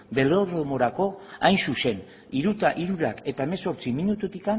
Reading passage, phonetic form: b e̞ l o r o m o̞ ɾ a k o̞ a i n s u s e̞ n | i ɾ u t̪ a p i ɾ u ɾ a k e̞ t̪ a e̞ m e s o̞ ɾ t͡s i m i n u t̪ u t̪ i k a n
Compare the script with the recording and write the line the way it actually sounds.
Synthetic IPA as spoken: b e̞ l o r o m o̞ ɾ a k o̞ a j n s u s e̞ n | i ɾ u t̪ a ʔ i ɾ u ɾ a k e̞ t̪ a e̞ m e s o̞ ɾ t͡s i m i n u t̪ u t̪ i k a n